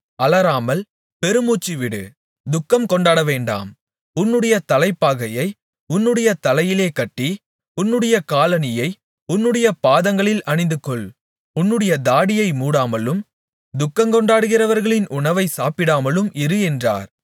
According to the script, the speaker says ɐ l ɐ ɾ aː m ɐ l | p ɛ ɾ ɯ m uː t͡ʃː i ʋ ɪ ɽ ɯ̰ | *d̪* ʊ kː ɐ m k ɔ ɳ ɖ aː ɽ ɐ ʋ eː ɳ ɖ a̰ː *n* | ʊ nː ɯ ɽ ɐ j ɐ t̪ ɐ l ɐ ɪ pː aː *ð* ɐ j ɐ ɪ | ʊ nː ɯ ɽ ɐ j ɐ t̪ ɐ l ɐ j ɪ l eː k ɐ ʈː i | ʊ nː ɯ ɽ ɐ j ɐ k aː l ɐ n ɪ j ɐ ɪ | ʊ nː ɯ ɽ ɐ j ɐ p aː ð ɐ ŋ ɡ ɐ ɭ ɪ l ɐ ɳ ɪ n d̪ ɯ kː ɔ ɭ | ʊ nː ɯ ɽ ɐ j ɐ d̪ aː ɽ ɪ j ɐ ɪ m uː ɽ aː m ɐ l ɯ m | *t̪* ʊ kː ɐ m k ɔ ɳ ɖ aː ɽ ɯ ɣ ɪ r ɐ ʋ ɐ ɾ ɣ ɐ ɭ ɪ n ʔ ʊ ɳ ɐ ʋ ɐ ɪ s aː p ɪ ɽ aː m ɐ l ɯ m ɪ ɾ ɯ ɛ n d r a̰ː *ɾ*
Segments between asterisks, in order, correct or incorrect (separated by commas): correct, incorrect, incorrect, incorrect, correct